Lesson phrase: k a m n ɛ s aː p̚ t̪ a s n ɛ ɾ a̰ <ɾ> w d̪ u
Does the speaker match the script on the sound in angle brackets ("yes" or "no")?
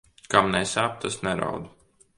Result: no